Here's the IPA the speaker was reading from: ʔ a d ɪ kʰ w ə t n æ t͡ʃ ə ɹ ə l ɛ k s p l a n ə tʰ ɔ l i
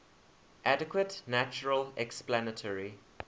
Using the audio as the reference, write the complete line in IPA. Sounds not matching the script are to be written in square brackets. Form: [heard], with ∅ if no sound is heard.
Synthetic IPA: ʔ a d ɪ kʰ w ə t n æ t͡ʃ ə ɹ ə l ɛ k s p l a n ə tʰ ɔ [ɹ] i

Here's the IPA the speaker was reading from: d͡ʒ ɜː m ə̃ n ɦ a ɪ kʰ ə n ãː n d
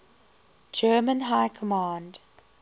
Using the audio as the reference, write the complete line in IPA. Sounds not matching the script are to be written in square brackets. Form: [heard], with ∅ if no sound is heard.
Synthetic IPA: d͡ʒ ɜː m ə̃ n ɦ a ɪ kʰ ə [m] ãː n d

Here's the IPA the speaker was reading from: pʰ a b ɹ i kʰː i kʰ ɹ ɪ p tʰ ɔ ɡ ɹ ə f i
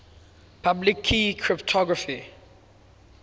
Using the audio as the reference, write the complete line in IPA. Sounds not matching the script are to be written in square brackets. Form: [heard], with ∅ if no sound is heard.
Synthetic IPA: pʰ a b [l] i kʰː i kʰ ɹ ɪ p tʰ ɔ ɡ ɹ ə f i

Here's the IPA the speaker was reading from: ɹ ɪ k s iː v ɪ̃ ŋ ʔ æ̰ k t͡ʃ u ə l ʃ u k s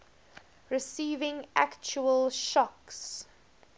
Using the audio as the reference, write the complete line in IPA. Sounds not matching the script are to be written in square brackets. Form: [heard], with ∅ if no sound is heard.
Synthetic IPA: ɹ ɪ [∅] s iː v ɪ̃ ŋ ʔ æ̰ k t͡ʃ u ə l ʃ [ɔ] k s

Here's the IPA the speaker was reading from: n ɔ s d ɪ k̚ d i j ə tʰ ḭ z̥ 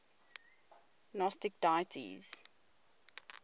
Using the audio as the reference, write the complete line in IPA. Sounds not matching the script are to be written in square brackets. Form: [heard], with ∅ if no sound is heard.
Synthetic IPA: n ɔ s [t] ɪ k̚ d [a] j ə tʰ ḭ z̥

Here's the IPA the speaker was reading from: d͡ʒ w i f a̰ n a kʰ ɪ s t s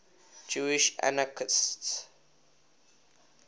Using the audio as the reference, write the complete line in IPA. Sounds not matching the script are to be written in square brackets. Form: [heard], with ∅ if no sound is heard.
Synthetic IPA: d͡ʒ [u] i [ʃ] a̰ n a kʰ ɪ s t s

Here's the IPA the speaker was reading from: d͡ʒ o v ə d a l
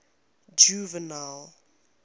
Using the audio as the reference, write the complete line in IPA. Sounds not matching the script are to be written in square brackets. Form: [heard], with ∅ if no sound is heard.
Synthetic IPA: d͡ʒ [u] v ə [n] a l

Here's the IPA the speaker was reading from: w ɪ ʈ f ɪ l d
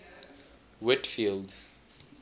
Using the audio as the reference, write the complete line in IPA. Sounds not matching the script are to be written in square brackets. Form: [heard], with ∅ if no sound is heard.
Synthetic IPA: w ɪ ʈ f [i] l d

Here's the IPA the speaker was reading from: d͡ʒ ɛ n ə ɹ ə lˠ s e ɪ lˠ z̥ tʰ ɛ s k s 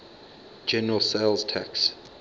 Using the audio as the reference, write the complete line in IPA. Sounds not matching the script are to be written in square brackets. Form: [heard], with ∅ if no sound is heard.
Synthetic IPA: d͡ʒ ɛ n ə ɹ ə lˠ s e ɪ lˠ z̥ tʰ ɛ [∅] k s

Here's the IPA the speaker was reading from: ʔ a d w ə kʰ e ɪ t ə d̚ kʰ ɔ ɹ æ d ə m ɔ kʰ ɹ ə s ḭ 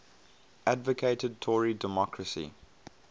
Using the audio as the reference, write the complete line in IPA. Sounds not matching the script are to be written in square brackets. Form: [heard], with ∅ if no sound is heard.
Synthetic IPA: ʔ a d [v] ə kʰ e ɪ t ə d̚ [tʰ] ɔ ɹ [i] d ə m ɔ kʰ ɹ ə s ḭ

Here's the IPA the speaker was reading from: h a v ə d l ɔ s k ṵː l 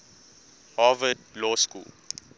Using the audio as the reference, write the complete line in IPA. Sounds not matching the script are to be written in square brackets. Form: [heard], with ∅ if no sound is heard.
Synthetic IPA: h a v ə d l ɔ s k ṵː l

